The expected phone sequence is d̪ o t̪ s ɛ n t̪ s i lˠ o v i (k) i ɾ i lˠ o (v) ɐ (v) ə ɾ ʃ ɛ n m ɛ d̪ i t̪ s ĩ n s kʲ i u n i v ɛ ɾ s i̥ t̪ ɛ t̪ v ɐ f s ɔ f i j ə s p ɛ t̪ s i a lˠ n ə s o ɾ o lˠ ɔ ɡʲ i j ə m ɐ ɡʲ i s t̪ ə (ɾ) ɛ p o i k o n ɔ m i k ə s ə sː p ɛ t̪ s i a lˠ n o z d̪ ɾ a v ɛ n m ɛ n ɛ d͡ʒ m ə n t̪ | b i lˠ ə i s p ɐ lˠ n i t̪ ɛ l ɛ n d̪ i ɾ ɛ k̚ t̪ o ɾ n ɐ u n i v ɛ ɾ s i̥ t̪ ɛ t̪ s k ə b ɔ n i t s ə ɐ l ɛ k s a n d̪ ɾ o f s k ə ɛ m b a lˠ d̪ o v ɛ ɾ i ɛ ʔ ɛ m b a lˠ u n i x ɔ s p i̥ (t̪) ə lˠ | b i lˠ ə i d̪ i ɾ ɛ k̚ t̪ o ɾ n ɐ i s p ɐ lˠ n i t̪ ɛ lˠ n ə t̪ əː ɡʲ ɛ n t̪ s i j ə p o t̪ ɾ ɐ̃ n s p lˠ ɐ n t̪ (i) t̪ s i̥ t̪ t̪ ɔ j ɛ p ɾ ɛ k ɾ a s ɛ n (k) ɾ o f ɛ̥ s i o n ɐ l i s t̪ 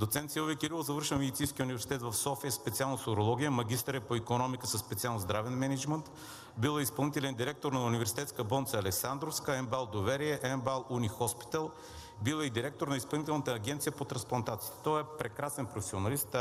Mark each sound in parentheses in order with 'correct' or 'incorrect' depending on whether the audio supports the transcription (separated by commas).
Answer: correct, incorrect, correct, correct, correct, incorrect, incorrect